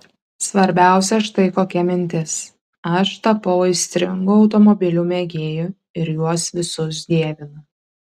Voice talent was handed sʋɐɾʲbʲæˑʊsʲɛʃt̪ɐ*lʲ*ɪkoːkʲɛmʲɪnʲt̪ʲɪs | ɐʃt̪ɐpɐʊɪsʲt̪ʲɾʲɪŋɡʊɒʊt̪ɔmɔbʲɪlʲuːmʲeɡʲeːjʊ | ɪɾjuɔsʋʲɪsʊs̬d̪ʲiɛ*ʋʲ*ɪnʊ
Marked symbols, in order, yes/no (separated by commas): no, yes